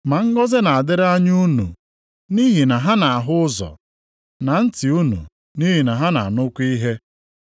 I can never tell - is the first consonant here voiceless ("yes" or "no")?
no